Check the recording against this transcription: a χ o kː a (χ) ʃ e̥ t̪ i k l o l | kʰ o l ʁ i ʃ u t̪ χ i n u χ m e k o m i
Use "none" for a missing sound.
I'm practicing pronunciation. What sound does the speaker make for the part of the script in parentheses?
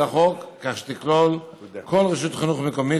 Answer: χ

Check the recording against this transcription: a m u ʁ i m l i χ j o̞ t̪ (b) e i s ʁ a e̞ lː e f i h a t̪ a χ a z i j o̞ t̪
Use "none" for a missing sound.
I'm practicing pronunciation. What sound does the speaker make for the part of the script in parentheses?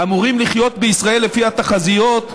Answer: b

